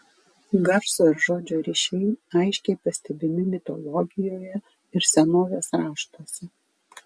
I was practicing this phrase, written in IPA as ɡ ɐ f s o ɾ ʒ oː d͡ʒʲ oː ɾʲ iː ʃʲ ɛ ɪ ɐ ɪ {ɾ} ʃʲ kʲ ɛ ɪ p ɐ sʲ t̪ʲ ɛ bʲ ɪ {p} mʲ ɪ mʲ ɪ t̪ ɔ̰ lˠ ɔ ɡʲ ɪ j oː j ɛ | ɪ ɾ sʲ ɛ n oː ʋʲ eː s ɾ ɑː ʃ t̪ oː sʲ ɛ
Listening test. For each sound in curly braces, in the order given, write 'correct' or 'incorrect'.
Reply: incorrect: none, incorrect: none

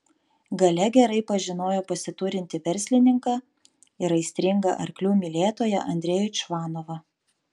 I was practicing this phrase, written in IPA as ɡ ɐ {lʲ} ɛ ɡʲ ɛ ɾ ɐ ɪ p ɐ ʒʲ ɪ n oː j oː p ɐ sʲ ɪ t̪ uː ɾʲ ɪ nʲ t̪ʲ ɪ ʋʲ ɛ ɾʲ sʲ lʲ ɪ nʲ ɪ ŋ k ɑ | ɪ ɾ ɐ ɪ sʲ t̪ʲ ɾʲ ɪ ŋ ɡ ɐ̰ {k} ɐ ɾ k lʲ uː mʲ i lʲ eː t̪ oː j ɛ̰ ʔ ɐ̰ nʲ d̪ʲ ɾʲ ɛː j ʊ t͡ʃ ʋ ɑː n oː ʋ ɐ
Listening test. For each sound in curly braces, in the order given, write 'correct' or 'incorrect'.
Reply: correct, incorrect: ʔ

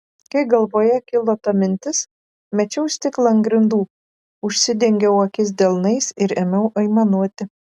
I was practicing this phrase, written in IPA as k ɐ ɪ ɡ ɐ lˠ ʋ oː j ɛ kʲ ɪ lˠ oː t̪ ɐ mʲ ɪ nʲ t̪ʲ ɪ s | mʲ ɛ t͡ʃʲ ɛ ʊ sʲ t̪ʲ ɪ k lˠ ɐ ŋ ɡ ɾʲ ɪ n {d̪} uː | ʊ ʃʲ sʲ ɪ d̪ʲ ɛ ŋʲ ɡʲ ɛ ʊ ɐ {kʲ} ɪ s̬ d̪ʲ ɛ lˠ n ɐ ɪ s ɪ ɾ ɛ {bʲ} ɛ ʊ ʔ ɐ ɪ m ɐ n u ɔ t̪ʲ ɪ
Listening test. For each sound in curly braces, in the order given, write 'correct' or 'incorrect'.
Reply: correct, correct, incorrect: mʲ

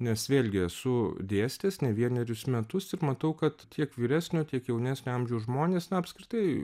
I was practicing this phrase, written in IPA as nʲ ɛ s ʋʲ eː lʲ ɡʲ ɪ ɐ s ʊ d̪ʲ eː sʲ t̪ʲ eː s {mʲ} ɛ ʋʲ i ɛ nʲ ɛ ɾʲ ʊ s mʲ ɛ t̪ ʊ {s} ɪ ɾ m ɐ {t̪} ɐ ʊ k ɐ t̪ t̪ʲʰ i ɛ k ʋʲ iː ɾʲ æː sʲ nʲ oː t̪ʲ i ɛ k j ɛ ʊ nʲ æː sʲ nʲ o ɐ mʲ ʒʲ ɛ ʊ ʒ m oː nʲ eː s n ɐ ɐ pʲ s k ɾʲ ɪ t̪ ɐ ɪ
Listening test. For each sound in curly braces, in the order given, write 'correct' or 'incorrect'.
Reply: incorrect: nʲ, correct, correct

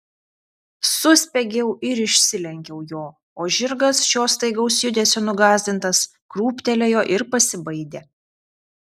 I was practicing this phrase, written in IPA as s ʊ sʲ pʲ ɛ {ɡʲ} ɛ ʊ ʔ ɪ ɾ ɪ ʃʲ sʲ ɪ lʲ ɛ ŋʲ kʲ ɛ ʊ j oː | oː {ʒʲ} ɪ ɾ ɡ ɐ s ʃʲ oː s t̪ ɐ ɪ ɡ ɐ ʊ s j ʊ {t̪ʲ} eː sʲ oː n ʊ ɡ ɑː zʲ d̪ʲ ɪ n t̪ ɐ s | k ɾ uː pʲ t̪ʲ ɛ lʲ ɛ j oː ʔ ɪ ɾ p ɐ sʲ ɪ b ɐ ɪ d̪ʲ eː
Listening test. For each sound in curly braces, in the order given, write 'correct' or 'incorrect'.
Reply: correct, correct, incorrect: d̪ʲ

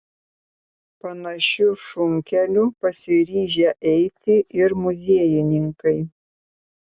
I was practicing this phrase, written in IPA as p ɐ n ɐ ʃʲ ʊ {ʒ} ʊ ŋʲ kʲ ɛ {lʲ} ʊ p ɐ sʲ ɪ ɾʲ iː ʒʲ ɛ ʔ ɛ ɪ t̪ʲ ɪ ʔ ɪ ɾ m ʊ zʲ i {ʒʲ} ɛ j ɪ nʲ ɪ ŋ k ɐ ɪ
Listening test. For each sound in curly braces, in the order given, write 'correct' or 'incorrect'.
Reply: incorrect: ʃ, correct, incorrect: none

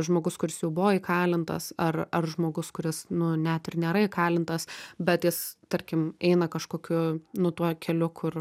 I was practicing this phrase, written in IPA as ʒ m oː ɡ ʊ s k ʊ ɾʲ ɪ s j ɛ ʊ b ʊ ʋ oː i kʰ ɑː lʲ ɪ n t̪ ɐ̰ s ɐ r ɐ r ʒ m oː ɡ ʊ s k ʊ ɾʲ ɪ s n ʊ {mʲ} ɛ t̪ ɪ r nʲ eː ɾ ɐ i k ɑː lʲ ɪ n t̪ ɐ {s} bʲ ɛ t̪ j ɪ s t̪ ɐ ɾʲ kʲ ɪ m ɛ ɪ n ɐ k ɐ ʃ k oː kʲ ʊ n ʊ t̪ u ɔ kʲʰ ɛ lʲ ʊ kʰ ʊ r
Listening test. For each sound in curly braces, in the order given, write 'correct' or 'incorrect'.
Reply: incorrect: nʲ, correct

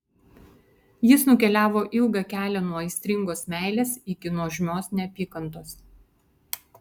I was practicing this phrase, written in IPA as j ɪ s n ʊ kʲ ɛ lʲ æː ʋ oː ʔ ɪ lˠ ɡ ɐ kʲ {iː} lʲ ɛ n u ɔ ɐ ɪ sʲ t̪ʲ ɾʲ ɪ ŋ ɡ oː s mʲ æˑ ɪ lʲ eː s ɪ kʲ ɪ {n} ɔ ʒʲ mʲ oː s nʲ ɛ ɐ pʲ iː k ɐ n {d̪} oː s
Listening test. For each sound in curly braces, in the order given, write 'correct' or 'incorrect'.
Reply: incorrect: æː, correct, incorrect: t̪

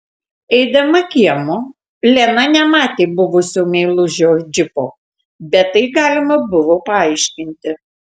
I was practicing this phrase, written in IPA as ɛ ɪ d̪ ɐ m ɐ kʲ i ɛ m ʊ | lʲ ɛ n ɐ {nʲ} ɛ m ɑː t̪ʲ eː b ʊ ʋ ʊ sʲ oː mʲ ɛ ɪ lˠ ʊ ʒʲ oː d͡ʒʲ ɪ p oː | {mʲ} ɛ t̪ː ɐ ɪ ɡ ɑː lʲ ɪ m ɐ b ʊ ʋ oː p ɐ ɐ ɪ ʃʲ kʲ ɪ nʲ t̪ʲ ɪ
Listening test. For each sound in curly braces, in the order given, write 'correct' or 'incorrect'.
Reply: correct, incorrect: bʲ

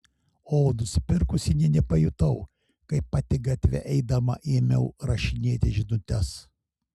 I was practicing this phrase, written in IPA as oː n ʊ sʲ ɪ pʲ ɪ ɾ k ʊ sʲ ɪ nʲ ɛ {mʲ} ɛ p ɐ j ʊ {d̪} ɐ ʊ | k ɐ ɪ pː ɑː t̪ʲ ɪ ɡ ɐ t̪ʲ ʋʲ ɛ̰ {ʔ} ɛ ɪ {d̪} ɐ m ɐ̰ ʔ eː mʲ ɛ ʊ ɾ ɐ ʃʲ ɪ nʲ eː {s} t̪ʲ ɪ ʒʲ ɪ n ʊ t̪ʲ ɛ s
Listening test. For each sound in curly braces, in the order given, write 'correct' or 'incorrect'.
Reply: incorrect: nʲ, incorrect: t̪, correct, correct, incorrect: none

